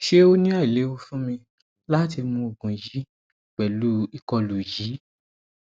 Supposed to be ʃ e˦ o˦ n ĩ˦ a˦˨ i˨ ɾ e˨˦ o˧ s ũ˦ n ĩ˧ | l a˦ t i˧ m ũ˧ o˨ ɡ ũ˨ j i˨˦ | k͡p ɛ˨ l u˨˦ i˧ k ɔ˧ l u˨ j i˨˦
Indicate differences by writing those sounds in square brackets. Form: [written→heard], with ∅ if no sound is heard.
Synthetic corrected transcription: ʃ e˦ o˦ n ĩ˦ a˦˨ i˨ [ɾ→l] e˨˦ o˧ [s→f] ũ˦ [n→m] ĩ˧ | l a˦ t i˧ m ũ˧ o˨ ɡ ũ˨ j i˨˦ | k͡p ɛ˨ l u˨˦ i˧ k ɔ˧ l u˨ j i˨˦